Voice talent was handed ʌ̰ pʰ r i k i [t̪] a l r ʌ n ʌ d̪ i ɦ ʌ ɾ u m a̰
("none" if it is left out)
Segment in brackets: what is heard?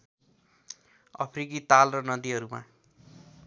t̪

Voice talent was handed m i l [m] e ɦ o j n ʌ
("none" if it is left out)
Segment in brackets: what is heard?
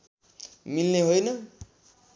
n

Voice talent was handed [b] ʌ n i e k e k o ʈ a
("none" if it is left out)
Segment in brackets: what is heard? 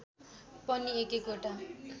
p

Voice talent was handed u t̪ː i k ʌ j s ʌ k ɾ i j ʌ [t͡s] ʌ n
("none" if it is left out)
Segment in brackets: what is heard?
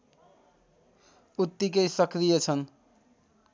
t͡sʰ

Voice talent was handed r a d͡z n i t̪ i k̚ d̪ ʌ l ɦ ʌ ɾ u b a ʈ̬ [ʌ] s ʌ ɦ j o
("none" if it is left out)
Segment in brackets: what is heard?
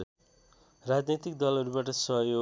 ʌ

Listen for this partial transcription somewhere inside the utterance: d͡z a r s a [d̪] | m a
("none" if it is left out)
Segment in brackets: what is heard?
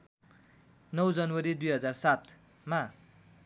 t̪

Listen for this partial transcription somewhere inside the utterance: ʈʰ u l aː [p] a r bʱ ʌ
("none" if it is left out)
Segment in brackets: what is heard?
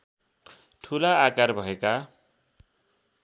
k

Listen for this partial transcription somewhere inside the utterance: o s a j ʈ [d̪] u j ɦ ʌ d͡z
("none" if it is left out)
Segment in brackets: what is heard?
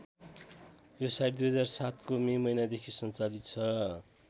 d̪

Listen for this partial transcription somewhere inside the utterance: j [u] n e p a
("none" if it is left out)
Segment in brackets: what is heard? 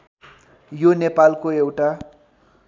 o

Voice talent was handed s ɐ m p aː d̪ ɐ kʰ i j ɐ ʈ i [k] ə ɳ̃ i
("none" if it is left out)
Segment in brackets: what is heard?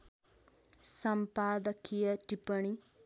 p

